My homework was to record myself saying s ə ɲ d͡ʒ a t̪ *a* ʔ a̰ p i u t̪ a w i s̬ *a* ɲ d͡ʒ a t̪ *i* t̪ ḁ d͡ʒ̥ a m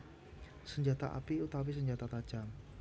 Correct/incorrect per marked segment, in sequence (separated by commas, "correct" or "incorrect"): correct, incorrect, incorrect